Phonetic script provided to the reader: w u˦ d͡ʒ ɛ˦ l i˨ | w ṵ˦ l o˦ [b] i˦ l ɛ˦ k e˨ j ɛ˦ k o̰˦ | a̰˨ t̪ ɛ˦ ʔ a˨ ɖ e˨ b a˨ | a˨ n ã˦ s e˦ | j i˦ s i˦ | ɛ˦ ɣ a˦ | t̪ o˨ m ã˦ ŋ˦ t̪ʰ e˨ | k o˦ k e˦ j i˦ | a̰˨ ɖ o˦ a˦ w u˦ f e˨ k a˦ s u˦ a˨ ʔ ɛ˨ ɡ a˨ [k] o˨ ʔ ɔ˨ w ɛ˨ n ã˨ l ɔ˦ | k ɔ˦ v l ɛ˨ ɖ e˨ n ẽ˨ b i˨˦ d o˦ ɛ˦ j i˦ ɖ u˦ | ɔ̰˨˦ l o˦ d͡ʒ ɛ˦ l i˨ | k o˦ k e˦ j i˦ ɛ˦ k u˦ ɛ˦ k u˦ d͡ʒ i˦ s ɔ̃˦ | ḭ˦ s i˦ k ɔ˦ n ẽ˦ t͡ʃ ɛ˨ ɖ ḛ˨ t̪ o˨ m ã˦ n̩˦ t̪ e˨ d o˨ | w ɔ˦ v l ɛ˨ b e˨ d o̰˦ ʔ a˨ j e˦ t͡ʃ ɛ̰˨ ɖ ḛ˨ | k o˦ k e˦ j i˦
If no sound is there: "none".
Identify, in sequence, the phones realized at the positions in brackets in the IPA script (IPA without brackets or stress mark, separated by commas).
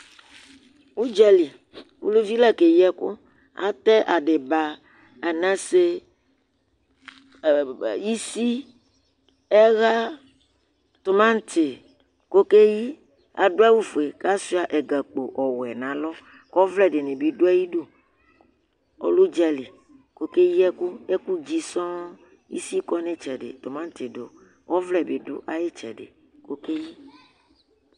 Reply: v, k͡p